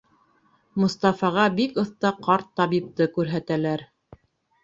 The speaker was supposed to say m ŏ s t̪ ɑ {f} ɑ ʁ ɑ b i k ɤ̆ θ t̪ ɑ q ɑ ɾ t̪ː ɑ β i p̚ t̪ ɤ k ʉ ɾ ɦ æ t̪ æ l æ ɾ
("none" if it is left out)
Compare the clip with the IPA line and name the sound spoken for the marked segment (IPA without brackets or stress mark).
f